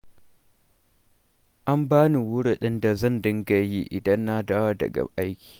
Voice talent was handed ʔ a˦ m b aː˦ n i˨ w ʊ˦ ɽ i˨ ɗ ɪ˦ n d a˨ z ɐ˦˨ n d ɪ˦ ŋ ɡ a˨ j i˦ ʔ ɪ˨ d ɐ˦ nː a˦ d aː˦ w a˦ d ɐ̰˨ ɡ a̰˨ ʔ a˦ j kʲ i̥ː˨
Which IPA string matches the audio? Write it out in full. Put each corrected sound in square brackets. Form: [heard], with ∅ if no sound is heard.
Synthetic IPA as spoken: ʔ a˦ m b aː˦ n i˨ w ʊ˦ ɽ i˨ ɗ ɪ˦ n d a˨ z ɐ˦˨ n d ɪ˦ ŋ ɡ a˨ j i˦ ʔ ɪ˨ d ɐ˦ nː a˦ d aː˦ w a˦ d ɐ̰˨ ɡ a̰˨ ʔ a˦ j kʲ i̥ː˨

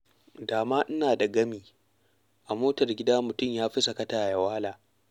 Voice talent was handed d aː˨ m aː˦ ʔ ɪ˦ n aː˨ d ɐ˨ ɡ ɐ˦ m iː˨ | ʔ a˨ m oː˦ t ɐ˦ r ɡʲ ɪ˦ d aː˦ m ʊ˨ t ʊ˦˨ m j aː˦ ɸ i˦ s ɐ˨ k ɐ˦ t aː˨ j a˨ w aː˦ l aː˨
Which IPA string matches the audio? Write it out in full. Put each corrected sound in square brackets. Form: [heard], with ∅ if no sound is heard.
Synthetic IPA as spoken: d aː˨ m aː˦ ʔ ɪ˦ n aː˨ d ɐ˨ ɡ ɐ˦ m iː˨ | ʔ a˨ m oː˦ t [ɐ˨] r ɡʲ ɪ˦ d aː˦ m ʊ˨ t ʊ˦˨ m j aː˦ ɸ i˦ s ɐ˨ k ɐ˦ t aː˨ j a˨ w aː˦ l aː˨

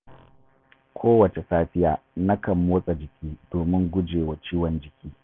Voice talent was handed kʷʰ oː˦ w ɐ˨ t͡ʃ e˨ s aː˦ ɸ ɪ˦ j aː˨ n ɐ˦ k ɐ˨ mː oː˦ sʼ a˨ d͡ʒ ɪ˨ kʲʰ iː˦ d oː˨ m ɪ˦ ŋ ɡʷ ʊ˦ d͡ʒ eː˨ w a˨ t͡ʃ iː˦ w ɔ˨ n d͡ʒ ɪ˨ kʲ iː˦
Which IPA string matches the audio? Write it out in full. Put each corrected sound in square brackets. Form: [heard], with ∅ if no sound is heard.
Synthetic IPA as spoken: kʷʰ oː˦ w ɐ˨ t͡ʃ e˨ s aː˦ ɸ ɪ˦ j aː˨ n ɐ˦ k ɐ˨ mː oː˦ sʼ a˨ d͡ʒ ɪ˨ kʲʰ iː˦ d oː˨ m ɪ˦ ŋ ɡʷ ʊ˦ d͡ʒ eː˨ w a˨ t͡ʃ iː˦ w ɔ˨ n d͡ʒ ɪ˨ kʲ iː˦

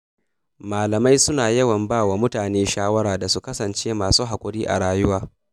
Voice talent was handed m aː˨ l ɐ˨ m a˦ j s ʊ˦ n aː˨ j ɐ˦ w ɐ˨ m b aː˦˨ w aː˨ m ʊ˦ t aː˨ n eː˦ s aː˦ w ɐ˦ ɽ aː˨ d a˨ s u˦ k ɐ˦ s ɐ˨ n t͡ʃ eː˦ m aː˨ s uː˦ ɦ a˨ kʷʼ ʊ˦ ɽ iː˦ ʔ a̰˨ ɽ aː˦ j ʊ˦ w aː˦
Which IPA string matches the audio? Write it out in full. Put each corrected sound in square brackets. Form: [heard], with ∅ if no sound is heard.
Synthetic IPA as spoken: m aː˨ l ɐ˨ m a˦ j s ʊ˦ n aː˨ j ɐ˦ w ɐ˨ m b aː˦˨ w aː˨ m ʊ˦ t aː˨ n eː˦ [ʃ] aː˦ w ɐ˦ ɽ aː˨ d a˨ s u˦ k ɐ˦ s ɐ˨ n t͡ʃ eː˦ m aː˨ s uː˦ ɦ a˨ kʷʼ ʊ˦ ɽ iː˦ ʔ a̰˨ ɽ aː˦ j ʊ˦ w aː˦

